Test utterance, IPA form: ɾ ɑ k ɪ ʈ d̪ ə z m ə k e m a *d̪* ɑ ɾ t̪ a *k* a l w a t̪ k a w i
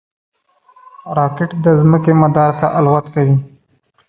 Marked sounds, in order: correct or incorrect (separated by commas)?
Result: correct, incorrect